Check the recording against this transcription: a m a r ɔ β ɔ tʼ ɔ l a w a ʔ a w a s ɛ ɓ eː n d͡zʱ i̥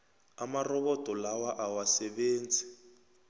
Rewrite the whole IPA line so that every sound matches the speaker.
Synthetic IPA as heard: a m a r ɔ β ɔ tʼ ɔ l a w a ʔ a w a s ɛ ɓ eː n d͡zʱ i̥